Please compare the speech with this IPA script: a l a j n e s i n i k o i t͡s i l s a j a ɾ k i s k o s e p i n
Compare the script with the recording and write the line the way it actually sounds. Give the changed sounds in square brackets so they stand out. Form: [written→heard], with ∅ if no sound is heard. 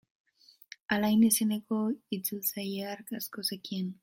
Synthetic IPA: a l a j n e s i n [i→e] k o i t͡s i l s a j a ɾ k [i→a] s k o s e [p→k] i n